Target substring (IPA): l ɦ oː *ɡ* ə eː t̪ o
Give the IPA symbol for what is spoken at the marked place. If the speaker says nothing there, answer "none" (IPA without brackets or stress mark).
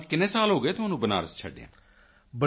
ɡ